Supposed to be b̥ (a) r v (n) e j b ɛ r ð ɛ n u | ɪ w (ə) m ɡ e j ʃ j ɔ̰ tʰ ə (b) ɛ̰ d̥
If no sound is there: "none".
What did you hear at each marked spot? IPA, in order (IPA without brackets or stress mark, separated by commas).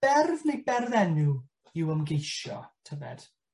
ɛ, n, ə, v